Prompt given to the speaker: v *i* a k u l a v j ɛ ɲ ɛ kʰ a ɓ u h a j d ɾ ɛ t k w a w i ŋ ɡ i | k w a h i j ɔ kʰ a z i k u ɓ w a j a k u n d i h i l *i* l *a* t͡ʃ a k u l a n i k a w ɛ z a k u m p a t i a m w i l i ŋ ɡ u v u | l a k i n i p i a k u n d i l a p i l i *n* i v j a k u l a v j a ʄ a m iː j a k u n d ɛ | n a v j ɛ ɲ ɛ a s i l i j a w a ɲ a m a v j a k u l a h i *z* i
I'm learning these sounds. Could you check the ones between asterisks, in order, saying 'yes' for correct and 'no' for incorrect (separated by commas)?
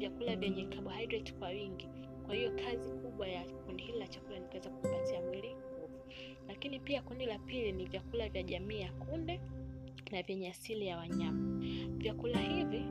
no, yes, yes, yes, no